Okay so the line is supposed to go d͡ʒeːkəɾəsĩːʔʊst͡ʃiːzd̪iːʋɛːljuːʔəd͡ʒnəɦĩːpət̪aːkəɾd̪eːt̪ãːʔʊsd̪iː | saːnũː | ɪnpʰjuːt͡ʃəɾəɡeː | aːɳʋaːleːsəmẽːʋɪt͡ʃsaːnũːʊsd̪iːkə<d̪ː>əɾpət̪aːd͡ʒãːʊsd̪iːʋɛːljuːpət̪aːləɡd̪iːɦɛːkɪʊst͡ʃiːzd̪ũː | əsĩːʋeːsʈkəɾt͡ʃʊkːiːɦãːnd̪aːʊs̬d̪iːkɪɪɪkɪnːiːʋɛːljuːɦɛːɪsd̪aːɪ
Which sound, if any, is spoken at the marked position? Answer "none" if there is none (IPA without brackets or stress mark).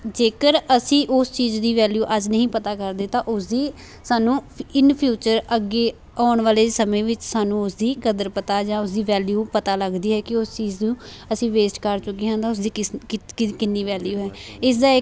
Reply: d̪